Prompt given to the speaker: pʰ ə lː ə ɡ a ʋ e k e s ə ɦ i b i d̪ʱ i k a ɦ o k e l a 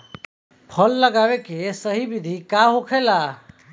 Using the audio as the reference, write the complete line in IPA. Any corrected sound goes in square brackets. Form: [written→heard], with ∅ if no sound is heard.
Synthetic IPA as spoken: pʰ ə lː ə ɡ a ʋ e k e s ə ɦ i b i d̪ʱ i k a ɦ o [k→kʰ] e l a